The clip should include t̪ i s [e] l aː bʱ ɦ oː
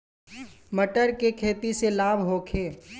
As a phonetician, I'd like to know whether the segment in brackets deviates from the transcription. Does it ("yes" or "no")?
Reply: no